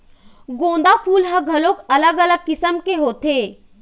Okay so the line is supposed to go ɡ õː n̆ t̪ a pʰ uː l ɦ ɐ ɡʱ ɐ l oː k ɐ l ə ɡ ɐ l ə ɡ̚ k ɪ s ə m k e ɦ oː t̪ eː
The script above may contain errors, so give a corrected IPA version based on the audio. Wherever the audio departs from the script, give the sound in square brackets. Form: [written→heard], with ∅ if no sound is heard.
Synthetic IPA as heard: ɡ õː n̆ [t̪→d̪] a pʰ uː l ɦ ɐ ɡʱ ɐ l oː k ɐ l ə ɡ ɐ l ə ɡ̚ k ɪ s ə m k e ɦ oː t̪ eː